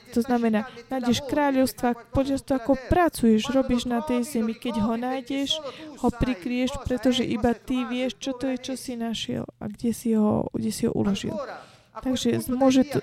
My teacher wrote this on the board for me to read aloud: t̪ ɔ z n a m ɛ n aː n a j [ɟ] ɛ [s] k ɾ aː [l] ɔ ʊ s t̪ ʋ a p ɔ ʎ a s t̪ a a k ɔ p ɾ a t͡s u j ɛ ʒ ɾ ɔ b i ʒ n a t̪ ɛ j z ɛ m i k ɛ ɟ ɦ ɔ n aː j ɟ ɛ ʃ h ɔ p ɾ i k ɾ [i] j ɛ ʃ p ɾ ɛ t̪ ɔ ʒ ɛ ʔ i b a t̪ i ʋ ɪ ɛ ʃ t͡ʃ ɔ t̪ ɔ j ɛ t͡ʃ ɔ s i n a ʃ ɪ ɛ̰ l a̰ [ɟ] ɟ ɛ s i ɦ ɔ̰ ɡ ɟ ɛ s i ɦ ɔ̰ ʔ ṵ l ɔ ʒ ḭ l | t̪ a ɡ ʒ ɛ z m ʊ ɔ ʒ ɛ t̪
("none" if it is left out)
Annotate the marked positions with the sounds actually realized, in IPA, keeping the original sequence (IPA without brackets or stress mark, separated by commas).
ɟ, ʃ, ʎ, i, ɡ